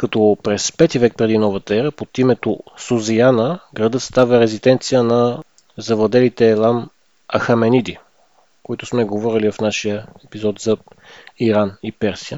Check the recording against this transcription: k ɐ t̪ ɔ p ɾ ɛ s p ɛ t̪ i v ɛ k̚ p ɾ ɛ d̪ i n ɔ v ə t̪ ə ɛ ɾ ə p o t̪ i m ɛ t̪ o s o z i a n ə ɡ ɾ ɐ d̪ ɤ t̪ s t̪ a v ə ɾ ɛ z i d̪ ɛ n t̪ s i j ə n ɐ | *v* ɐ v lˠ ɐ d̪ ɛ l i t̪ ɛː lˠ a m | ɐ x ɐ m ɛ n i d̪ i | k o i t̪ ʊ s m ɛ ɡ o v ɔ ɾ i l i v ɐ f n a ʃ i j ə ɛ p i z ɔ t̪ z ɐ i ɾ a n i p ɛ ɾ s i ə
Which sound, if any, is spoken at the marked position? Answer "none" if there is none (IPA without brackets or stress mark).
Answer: z